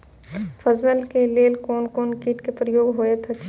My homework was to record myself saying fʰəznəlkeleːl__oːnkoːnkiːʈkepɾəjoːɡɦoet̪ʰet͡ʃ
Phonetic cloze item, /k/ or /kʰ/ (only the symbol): k